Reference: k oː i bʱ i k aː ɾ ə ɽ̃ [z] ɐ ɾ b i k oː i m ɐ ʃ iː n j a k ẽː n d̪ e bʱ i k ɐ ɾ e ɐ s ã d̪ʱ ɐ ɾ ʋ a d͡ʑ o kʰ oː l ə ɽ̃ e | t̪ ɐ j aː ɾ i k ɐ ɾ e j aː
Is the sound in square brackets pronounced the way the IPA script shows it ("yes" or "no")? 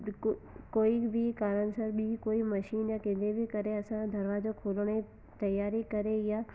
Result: no